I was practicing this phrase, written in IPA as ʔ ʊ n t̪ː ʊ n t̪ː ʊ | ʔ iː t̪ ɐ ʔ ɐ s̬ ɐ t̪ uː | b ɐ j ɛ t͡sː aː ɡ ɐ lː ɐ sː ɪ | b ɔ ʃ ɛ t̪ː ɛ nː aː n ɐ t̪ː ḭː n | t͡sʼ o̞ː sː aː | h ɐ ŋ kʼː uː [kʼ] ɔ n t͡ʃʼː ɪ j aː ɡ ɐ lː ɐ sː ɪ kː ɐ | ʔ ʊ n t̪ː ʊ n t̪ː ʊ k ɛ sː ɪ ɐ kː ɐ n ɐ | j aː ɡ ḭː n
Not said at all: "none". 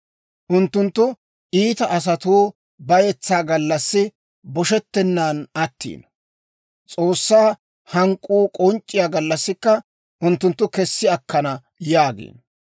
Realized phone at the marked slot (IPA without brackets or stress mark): kʼ